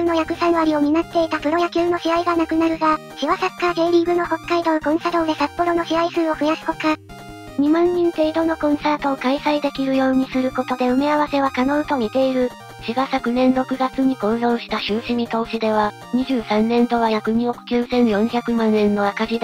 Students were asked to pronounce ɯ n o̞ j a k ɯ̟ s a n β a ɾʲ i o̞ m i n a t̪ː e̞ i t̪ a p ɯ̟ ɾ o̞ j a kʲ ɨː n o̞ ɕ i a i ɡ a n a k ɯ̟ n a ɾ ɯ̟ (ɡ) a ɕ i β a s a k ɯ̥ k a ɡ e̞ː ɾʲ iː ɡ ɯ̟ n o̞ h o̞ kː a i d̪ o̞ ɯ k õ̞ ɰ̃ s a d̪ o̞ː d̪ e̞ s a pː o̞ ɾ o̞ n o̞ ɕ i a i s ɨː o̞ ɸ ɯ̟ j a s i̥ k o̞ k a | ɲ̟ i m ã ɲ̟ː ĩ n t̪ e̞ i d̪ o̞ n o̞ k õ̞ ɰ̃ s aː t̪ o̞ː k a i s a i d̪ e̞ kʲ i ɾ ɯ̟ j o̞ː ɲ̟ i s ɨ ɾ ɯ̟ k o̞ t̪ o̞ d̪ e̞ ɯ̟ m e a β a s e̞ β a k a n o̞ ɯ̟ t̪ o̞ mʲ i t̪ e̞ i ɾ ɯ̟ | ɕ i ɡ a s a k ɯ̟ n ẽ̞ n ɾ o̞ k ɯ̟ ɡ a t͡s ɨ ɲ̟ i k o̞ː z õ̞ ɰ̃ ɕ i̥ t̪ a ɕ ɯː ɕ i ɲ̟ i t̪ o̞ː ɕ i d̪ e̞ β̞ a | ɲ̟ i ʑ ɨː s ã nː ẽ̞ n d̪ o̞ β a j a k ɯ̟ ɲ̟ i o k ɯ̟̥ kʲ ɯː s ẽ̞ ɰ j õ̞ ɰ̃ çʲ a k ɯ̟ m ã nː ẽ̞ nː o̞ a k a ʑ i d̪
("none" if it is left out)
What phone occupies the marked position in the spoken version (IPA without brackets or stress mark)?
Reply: ɡ